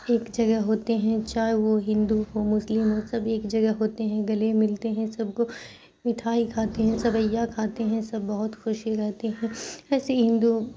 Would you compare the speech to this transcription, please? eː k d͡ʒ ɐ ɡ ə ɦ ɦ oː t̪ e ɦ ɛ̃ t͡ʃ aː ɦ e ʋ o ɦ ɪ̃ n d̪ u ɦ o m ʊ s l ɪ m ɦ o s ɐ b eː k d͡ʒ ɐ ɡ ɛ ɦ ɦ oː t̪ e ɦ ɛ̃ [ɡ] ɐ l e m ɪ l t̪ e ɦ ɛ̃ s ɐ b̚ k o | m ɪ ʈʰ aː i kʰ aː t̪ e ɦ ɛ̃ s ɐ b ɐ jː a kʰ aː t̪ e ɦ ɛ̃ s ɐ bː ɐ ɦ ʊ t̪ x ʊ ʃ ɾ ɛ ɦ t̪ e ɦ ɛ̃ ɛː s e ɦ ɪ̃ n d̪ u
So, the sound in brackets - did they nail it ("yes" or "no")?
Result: yes